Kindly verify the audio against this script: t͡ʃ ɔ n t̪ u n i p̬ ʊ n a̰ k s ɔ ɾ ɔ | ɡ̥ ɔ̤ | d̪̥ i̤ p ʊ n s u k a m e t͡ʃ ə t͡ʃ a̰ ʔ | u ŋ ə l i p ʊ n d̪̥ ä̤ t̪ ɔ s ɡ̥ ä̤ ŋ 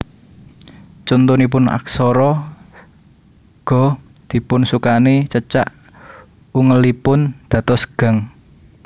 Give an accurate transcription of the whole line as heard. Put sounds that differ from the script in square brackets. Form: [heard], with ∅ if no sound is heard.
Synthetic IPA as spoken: t͡ʃ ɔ n t̪ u n i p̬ ʊ n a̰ k s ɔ ɾ ɔ | ɡ̥ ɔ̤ | d̪̥ i̤ p ʊ n s u k a [n] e t͡ʃ ə t͡ʃ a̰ ʔ | u ŋ ə l i p ʊ n d̪̥ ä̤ t̪ ɔ s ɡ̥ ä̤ ŋ